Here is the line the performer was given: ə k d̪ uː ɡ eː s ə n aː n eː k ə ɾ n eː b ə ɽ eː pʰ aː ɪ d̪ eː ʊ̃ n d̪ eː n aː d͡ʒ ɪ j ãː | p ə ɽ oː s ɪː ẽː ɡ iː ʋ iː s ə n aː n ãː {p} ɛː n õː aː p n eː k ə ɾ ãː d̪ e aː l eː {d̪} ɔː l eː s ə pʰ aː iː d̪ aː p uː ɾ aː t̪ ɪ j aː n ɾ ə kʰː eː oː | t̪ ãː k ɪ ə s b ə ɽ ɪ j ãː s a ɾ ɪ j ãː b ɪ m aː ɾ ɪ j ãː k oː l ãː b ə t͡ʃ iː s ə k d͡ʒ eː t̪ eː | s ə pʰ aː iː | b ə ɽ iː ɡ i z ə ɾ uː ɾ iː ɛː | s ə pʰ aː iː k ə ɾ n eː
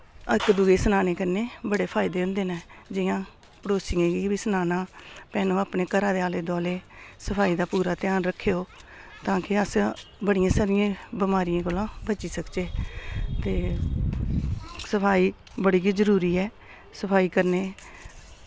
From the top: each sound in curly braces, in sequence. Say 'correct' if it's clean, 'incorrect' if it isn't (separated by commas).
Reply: correct, correct